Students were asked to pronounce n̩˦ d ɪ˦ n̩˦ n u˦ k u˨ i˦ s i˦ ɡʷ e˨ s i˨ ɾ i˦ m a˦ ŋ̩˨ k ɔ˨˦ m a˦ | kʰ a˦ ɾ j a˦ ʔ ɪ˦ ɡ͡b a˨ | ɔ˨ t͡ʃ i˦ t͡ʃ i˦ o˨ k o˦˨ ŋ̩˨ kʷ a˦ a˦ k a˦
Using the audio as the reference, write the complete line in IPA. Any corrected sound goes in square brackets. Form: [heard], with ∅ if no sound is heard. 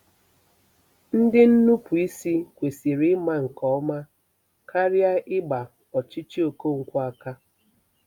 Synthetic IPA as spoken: n̩˦ d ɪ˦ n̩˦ n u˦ [p] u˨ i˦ s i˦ [kʷ] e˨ s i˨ ɾ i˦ m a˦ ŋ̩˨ k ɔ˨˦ m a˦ | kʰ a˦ ɾ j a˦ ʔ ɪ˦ ɡ͡b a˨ | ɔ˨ t͡ʃ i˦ t͡ʃ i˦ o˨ k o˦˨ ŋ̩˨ kʷ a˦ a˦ k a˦